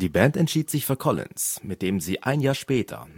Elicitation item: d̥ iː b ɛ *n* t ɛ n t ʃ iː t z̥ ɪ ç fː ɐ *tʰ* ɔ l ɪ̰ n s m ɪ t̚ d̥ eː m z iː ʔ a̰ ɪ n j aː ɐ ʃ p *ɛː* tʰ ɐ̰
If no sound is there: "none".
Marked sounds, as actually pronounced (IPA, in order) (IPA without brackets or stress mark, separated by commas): n, kʰ, ɛː